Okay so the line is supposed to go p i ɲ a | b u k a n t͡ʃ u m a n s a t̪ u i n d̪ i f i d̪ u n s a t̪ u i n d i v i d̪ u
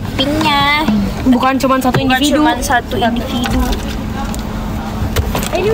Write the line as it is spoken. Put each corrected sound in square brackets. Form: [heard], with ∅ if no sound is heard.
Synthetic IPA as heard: p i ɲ a | b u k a n t͡ʃ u m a n s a t̪ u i n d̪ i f i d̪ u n s a t̪ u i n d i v i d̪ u